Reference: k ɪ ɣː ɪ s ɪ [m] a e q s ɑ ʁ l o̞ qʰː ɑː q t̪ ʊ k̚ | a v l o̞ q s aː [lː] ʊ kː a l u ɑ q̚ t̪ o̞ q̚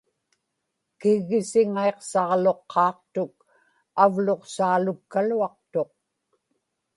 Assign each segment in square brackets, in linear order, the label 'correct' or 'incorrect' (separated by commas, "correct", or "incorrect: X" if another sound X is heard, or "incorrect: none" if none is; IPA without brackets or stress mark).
incorrect: ŋ, incorrect: l